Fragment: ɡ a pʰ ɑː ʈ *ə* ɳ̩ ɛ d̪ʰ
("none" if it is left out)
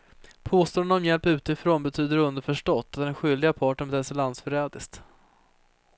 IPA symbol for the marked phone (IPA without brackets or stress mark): ə